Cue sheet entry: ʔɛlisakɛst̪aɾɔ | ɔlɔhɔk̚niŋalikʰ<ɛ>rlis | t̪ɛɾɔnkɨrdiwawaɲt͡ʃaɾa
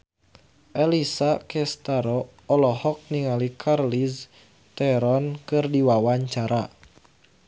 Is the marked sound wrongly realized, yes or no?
yes